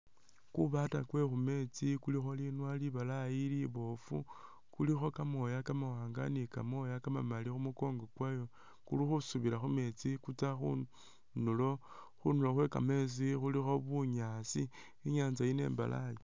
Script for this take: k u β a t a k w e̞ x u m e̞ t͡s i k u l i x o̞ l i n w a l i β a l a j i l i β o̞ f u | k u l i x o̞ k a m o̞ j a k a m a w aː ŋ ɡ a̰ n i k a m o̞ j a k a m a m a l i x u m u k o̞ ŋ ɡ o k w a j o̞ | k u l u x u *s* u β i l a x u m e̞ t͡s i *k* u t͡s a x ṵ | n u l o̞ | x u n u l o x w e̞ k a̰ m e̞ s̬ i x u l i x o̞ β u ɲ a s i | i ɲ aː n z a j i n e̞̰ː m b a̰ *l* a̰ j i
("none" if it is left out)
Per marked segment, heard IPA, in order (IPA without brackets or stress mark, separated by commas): s, k, l